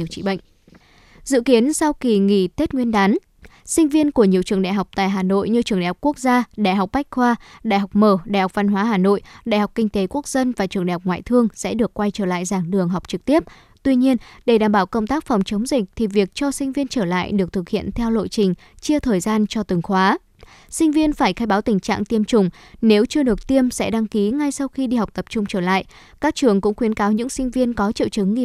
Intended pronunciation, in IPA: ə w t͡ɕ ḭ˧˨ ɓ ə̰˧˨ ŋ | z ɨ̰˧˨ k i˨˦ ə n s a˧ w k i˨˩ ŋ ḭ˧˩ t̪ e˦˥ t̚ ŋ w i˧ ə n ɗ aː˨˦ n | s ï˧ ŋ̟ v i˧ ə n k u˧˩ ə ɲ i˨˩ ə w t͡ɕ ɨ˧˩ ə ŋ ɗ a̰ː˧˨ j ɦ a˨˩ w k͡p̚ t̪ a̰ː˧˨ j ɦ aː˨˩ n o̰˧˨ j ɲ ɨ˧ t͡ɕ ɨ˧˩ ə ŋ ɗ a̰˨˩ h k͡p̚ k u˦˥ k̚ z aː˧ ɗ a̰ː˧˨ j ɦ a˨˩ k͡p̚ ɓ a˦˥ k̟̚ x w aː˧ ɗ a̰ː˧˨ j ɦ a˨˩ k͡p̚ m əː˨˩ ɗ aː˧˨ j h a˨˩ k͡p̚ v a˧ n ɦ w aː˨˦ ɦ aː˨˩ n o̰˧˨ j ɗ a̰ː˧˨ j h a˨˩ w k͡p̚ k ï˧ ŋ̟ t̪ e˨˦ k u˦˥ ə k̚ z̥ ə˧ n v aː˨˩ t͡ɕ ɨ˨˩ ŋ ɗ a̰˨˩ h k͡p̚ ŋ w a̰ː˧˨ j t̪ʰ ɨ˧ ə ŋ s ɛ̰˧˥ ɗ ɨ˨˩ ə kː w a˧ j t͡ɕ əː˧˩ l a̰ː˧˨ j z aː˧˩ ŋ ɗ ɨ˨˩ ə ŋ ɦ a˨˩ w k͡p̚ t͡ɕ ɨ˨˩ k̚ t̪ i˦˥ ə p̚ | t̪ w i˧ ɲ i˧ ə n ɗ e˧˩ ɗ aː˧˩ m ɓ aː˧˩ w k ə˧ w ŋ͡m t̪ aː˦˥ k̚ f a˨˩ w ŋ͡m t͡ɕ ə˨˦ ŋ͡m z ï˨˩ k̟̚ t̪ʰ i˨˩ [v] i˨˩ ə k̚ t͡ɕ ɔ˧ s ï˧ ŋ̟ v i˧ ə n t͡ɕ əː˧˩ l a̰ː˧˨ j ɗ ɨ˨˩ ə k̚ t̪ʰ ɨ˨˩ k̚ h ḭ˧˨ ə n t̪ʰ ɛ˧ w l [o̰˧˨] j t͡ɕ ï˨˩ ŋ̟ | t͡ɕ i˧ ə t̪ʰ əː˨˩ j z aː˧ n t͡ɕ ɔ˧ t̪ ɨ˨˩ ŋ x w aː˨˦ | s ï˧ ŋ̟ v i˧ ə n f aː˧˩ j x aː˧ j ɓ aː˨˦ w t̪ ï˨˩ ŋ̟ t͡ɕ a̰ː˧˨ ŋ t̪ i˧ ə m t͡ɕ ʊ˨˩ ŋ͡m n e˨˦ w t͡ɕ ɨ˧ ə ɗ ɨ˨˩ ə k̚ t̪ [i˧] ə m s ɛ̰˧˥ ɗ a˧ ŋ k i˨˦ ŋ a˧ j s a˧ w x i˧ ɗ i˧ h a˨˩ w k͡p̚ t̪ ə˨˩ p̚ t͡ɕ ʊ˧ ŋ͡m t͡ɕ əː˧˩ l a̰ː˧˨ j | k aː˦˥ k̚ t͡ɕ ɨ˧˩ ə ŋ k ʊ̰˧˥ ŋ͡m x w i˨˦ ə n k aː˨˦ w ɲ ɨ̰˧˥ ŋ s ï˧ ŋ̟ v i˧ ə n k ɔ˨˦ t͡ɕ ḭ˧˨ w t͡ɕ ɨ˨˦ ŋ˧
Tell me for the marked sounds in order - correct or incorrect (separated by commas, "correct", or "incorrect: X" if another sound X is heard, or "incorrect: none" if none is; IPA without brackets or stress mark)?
correct, correct, correct